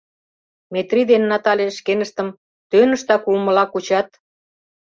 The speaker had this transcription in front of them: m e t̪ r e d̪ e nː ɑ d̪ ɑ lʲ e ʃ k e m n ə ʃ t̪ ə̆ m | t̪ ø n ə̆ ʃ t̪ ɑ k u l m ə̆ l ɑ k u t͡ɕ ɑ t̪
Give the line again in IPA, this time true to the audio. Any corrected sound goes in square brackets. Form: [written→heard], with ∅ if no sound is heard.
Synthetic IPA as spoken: m e t̪ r [e→i] d̪ e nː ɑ [d̪→t̪] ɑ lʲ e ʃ k e [m→∅] n ə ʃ t̪ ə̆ m | t̪ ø n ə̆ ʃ t̪ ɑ k u l m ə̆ l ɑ k u t͡ɕ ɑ t̪